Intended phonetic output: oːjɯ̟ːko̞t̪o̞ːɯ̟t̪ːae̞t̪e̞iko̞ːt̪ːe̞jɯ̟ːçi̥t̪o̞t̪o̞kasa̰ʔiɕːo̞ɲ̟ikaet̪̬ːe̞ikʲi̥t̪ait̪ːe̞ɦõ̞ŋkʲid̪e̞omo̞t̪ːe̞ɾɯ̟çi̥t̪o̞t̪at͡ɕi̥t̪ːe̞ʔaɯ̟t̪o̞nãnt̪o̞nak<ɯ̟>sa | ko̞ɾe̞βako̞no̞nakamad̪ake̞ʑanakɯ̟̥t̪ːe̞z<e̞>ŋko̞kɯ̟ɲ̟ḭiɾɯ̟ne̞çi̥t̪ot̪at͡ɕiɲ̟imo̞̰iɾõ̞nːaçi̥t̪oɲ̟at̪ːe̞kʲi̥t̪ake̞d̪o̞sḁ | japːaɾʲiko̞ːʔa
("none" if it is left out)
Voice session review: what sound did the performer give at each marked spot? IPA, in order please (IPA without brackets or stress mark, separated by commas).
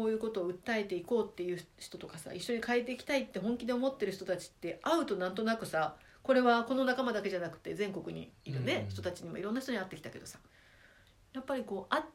ɯ̟, ẽ̞